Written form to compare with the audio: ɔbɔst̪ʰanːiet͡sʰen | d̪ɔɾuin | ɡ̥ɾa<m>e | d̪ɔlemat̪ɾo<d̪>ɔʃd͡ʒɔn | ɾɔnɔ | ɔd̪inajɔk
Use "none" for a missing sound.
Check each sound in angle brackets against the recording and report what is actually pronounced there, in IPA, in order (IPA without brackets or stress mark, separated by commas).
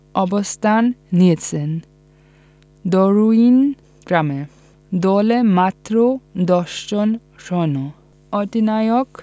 m, d̪